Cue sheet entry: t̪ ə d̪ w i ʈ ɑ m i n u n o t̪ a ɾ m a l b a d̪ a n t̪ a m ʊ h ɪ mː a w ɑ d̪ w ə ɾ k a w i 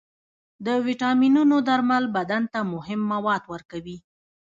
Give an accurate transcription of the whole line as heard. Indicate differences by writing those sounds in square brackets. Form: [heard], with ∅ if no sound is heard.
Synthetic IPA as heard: [d̪] ə [∅] w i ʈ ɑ m i n u n o [d̪] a ɾ m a l b a d̪ a n t̪ a m ʊ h ɪ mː a w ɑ d̪ w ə ɾ k a w i